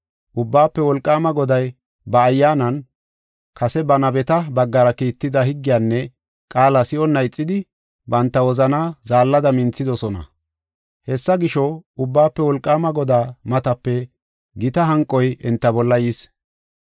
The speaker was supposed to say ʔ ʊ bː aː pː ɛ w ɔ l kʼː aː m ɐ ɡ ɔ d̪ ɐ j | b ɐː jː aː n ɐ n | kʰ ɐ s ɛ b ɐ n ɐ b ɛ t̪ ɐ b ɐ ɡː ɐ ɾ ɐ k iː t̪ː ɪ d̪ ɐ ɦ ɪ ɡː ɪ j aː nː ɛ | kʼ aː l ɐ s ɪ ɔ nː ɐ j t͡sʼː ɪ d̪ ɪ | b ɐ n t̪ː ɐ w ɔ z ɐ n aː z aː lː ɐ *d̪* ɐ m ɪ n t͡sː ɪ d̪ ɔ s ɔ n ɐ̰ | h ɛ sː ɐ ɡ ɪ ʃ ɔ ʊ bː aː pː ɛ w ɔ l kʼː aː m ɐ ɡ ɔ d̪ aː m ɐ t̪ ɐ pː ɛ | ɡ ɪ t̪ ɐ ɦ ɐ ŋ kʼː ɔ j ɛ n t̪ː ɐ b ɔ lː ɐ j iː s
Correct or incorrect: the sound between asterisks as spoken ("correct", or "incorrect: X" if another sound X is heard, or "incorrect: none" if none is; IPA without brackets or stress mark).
correct